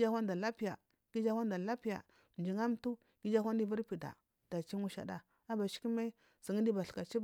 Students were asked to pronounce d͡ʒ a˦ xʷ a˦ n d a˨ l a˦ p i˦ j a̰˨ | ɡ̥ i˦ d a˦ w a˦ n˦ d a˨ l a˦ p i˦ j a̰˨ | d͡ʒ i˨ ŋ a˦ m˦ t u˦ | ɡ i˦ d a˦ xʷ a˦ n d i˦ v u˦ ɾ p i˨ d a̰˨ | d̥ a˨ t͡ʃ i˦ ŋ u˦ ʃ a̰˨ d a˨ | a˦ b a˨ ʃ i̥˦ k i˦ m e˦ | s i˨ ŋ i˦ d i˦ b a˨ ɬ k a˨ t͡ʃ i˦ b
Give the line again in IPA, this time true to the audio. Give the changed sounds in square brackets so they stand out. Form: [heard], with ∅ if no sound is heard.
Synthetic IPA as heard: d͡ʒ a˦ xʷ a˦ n d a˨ l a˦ p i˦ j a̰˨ | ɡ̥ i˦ [d͡ʒ] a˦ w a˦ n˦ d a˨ l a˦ p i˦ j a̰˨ | d͡ʒ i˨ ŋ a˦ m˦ t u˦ | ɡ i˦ [d͡ʒ] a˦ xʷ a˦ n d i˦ v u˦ ɾ p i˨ d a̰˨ | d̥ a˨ t͡ʃ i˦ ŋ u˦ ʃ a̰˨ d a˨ | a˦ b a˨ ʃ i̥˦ k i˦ m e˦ | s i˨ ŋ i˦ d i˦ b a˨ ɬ k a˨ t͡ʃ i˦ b